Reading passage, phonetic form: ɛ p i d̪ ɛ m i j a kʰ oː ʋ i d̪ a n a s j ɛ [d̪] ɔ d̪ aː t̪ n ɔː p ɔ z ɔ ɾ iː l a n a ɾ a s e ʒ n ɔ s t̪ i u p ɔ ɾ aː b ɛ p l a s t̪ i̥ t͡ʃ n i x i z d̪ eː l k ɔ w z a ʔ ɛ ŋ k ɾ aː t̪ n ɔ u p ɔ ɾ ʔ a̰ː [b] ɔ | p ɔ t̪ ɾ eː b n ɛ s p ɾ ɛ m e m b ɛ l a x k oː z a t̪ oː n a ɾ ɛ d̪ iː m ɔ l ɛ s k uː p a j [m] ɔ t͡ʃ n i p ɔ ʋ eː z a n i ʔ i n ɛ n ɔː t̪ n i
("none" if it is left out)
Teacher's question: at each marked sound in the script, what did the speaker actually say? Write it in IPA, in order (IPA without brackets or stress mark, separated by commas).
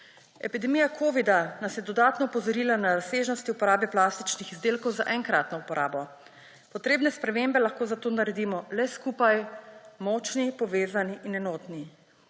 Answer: d̪, b, m